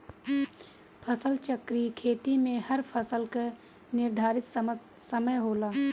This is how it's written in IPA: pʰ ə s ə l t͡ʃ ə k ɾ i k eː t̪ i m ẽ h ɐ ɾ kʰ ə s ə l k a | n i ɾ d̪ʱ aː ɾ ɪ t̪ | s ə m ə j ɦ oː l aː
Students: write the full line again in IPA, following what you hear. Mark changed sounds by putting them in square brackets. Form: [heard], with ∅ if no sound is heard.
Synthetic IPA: pʰ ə s ə l t͡ʃ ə k ɾ i [kʰ] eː t̪ i m ẽ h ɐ ɾ [pʰ] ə s ə l k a | n [ɪ] ɾ d̪ʱ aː ɾ ɪ t̪ | s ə m ə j ɦ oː l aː